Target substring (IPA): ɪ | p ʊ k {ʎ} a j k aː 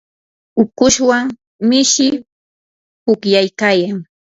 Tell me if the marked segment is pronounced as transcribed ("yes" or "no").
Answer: no